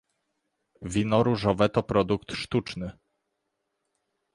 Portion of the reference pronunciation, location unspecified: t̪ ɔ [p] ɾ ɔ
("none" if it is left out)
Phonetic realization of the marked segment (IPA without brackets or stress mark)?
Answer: p